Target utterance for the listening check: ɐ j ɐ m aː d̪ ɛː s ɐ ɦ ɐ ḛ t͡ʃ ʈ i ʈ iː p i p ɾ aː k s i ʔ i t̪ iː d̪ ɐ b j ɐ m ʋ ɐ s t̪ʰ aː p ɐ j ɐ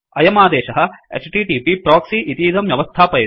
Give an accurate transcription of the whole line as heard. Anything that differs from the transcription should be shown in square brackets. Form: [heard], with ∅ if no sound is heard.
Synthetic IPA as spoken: ɐ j ɐ m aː d̪ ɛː [ʃ] ɐ ɦ ɐ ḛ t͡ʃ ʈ i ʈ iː p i p ɾ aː k s i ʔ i t̪ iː d̪ ɐ [m] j ɐ [∅] ʋ ɐ s t̪ʰ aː p ɐ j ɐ

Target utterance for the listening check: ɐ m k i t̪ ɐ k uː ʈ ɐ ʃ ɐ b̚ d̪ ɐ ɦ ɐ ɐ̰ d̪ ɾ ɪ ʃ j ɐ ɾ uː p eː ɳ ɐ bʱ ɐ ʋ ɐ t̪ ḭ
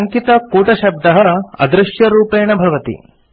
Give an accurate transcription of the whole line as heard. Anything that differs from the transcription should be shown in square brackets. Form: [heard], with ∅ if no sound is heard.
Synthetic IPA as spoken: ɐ [ŋ] k i t̪ ɐ k uː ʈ ɐ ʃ ɐ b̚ d̪ ɐ ɦ ɐ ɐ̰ d̪ ɾ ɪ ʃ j ɐ ɾ uː p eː ɳ ɐ bʱ ɐ ʋ ɐ t̪ ḭ

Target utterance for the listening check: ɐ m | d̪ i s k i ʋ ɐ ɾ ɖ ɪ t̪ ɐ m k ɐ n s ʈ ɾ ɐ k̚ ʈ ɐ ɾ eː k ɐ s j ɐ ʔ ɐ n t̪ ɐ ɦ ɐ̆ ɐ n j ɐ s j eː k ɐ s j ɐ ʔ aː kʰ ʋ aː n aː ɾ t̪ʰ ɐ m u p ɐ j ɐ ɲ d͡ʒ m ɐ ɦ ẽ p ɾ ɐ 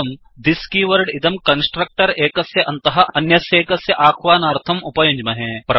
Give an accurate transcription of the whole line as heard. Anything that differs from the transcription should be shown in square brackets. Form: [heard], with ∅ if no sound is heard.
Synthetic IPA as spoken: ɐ m | d̪ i s k i ʋ ɐ ɾ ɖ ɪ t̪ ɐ m k ɐ n s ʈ ɾ ɐ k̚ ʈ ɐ ɾ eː k ɐ s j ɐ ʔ ɐ n t̪ ɐ ɦ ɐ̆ ɐ n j ɐ s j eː k ɐ s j ɐ ʔ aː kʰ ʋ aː n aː ɾ t̪ʰ ɐ m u p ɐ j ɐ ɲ d͡ʒ m ɐ ɦ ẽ p ɾ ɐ

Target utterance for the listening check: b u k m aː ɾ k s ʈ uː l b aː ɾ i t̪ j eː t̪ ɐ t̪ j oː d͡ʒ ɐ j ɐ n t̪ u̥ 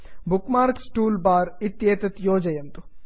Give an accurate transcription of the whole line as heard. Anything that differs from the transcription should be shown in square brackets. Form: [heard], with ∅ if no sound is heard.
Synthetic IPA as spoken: b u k m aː ɾ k s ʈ uː l b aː ɾ i t̪ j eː t̪ ɐ t̪ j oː d͡ʒ ɐ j ɐ n t̪ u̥

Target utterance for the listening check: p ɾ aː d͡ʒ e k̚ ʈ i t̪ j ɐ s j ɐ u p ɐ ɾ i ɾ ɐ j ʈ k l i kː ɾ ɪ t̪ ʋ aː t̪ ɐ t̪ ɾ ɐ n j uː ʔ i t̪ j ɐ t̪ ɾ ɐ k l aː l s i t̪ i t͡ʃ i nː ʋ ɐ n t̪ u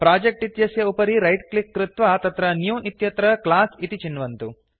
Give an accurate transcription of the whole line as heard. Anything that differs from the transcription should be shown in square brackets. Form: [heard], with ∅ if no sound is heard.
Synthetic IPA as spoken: p ɾ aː d͡ʒ e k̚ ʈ i t̪ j ɐ s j ɐ u p ɐ ɾ i ɾ ɐ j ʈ k l i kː ɾ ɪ t̪ ʋ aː t̪ ɐ t̪ ɾ ɐ n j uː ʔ i t̪ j ɐ t̪ ɾ ɐ k l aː [∅] s i t̪ i t͡ʃ i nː ʋ ɐ n t̪ u

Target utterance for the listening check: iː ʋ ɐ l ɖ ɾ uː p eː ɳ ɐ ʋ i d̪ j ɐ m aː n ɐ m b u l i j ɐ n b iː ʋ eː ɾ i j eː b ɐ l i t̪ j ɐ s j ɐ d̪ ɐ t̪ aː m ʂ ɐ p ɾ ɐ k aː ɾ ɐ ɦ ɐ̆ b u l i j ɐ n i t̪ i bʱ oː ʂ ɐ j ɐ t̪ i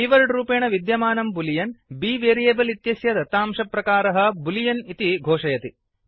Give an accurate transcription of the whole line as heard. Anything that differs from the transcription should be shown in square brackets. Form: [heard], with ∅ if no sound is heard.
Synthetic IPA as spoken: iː ʋ ɐ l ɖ ɾ uː p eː ɳ ɐ ʋ i d̪ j ɐ m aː n ɐ m b u l i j ɐ n b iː ʋ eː ɾ i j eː b ɐ l i t̪ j ɐ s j ɐ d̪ ɐ t̪ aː m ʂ ɐ p ɾ ɐ k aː ɾ ɐ ɦ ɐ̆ b u l i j ɐ n i t̪ i [ɡʱ] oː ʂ ɐ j ɐ t̪ i

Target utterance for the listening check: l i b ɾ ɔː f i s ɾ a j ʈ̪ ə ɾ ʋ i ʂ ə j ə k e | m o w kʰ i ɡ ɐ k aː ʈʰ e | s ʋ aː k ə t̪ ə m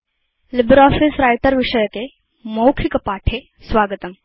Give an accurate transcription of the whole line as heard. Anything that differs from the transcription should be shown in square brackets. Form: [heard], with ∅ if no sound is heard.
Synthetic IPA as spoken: l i b ɾ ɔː f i s ɾ a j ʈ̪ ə ɾ ʋ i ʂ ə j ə k e | m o w kʰ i [k] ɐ [p] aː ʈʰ e | s ʋ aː [ɡ] ə t̪ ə m

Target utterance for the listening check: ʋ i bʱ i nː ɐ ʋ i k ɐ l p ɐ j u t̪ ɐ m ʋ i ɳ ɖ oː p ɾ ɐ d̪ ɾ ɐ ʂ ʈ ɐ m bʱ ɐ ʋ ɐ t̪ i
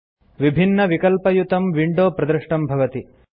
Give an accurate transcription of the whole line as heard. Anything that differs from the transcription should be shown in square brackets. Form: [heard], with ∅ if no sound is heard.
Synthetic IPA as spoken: ʋ i bʱ i nː ɐ ʋ i k ɐ l p ɐ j u t̪ ɐ m ʋ i ɳ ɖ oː p ɾ ɐ d̪ ɾ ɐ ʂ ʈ ɐ m bʱ ɐ ʋ ɐ t̪ i

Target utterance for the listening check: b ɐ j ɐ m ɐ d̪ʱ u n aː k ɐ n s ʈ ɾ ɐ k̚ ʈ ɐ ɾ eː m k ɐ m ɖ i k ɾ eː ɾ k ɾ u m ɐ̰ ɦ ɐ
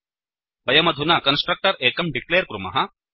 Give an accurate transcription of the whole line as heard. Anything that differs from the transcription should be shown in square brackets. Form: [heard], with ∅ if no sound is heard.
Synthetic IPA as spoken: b ɐ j ɐ m ɐ d̪ʱ u n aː k ɐ n s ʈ ɾ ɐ k̚ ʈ ɐ ɾ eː [∅] k ɐ m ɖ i k [l] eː ɾ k ɾ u m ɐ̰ ɦ ɐ

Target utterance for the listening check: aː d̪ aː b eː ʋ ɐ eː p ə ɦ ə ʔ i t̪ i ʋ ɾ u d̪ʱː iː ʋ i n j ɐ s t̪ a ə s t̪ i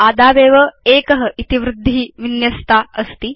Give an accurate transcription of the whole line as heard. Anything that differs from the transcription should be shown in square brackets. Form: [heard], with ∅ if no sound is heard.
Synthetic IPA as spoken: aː d̪ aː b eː ʋ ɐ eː [k] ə ɦ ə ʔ i t̪ i ʋ ɾ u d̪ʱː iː ʋ i n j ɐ s t̪ a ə s t̪ i

